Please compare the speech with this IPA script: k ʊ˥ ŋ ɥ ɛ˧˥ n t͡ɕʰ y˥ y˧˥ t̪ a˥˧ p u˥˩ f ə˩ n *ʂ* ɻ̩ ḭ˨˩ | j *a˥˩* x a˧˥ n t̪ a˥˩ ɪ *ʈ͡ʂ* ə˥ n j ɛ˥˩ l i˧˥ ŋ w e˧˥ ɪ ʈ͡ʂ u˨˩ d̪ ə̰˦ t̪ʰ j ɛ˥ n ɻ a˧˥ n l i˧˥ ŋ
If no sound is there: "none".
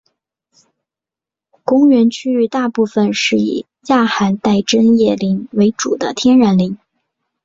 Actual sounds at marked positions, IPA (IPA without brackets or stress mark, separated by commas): ʂ, a˥˩, ʈ͡ʂ